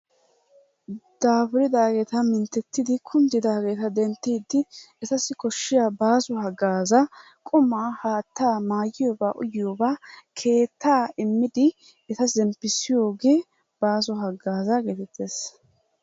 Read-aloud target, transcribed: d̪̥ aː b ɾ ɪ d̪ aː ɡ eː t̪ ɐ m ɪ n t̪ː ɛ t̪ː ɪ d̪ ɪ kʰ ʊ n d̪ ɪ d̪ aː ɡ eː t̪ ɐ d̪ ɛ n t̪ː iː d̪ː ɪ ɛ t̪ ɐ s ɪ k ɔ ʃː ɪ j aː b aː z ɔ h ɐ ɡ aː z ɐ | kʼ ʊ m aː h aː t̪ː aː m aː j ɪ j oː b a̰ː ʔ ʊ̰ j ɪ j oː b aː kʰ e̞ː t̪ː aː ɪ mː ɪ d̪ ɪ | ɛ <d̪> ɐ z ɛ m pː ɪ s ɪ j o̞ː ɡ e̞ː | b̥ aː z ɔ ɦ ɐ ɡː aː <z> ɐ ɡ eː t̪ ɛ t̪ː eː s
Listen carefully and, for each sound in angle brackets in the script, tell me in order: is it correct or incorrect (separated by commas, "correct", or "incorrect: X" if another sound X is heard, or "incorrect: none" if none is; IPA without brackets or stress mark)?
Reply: incorrect: t̪, correct